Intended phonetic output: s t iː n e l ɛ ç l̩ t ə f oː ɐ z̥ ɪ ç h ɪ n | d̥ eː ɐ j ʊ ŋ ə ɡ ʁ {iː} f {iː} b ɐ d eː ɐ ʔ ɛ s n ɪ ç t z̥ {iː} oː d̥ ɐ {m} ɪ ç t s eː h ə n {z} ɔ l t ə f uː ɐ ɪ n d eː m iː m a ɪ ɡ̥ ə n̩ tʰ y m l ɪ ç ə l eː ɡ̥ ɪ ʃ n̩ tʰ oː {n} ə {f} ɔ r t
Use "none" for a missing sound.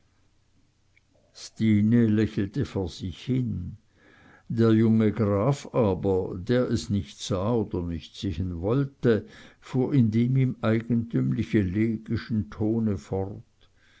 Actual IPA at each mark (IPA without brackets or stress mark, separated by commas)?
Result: aː, aː, aː, n, v, n, f